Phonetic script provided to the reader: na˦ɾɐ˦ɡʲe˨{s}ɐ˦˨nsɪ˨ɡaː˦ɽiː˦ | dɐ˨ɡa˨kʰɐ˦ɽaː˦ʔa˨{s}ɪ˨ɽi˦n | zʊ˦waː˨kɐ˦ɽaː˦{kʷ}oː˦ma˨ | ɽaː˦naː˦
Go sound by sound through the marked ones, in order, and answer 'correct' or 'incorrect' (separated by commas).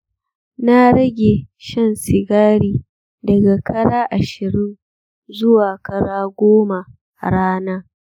incorrect, incorrect, incorrect